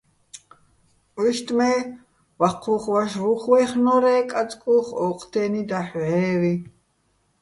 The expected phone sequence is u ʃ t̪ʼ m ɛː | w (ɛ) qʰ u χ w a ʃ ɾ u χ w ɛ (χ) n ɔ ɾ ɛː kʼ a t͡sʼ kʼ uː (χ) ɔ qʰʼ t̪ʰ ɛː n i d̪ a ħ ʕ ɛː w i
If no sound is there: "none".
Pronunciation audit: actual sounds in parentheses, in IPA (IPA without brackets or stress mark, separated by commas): a, χ, χ